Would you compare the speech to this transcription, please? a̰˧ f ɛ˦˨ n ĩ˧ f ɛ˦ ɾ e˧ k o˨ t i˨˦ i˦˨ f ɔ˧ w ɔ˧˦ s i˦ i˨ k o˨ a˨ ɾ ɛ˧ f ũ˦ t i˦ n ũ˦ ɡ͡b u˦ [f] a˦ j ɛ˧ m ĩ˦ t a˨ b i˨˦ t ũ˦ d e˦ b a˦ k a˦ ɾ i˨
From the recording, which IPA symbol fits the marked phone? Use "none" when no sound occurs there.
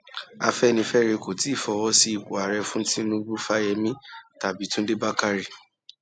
f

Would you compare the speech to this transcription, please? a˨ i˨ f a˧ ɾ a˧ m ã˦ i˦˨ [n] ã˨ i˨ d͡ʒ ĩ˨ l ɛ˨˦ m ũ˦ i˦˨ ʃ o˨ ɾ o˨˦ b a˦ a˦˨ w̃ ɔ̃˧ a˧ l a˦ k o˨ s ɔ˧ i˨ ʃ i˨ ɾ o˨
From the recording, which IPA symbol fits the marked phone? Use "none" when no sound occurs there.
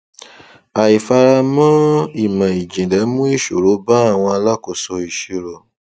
m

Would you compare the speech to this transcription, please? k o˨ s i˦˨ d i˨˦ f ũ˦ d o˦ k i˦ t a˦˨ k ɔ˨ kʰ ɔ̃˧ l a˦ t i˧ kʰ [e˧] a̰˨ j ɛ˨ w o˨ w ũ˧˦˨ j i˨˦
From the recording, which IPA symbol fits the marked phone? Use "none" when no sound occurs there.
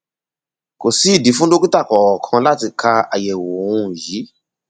a˧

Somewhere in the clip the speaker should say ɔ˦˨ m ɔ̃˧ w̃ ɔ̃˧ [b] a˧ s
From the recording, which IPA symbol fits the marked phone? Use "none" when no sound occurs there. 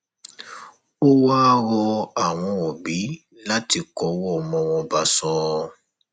b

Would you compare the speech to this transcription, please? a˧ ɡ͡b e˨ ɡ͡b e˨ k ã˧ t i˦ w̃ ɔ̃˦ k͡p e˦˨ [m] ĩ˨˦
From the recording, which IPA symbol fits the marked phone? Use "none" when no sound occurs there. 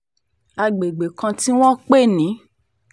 n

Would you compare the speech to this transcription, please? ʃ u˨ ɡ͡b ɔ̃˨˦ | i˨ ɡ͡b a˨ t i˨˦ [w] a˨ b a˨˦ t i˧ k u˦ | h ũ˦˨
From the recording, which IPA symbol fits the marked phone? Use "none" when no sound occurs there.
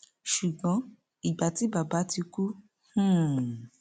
b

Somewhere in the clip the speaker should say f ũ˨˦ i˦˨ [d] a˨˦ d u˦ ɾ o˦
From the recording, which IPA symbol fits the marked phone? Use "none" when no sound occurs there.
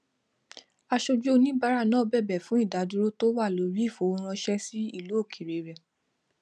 d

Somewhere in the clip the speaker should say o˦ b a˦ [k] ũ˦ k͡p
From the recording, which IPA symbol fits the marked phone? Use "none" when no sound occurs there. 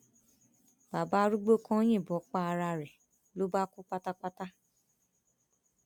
k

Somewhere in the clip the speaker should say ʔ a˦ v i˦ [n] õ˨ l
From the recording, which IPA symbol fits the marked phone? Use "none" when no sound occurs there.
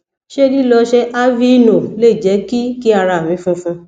n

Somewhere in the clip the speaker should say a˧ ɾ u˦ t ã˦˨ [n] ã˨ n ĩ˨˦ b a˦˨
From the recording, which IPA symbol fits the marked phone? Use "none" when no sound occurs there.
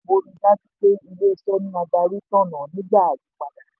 n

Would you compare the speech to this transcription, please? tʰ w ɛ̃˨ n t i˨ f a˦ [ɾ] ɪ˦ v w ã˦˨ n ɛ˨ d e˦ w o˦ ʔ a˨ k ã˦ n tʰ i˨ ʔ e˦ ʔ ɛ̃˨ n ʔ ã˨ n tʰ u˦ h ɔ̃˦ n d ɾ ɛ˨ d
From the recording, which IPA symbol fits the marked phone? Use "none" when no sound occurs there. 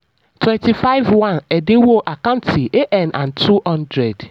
none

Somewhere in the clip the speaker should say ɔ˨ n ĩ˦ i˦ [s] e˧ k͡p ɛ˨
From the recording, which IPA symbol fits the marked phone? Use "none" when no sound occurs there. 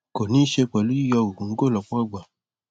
ʃ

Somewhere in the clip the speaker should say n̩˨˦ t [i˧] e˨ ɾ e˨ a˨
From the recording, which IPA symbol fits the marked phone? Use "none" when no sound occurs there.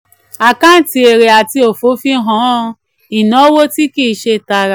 i˧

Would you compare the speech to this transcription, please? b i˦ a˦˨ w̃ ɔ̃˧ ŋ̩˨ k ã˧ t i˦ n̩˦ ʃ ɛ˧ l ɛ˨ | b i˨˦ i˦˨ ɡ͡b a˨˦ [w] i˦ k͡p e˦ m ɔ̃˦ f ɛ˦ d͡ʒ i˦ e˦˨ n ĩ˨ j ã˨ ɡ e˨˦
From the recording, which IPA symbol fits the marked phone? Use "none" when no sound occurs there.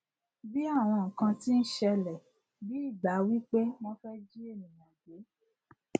w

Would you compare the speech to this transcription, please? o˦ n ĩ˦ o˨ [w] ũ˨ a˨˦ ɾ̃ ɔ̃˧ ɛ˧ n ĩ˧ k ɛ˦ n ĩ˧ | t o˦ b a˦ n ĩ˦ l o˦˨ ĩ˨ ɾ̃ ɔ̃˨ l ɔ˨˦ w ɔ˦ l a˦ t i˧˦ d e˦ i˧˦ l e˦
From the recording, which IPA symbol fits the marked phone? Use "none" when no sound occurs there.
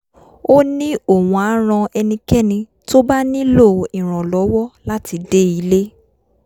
w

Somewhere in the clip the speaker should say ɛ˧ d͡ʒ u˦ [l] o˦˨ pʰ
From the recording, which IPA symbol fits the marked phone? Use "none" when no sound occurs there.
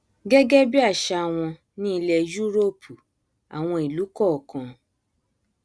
ɾ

